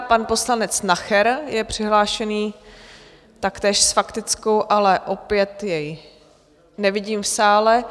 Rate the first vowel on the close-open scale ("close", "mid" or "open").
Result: open